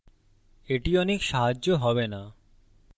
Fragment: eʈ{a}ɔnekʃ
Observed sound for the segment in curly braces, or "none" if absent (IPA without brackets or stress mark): i